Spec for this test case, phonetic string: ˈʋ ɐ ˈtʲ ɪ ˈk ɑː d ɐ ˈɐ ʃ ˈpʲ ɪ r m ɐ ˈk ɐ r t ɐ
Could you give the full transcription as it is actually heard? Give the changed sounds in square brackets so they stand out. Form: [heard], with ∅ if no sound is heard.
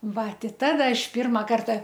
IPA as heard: ˈʋ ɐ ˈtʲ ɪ [ˈt] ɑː d ɐ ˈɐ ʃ ˈpʲ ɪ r m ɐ ˈk ɐ r t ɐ